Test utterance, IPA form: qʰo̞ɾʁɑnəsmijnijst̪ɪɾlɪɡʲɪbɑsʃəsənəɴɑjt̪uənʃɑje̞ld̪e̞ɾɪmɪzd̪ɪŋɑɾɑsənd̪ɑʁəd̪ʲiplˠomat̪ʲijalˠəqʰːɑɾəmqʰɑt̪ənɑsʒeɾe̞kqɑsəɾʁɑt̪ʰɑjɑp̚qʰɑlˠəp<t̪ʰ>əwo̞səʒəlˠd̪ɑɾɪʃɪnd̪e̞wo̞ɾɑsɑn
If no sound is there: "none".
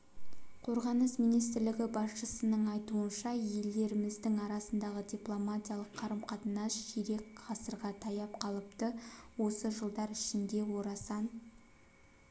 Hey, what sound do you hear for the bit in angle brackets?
t̪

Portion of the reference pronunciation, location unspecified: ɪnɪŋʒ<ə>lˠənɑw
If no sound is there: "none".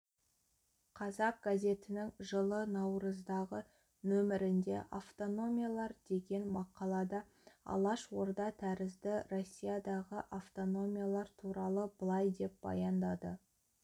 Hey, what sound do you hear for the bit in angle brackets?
ə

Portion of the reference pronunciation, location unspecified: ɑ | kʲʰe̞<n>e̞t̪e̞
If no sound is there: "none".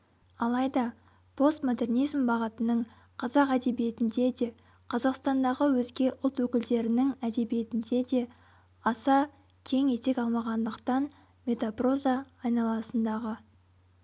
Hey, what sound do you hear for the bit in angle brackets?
ŋ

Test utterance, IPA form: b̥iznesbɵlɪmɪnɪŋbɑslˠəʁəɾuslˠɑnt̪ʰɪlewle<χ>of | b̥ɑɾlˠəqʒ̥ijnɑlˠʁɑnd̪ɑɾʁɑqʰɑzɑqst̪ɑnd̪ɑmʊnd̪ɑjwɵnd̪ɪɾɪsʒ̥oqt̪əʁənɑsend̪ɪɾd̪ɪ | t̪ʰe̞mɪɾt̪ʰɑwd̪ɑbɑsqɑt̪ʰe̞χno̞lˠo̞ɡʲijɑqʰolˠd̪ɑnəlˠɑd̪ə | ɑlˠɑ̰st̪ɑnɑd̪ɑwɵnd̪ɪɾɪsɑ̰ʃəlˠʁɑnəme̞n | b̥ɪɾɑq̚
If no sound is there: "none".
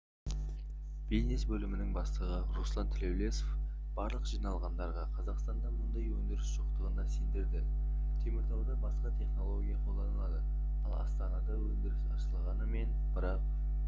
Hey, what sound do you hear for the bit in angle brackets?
s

